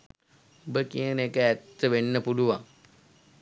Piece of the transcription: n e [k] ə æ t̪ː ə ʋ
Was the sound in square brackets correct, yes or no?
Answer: yes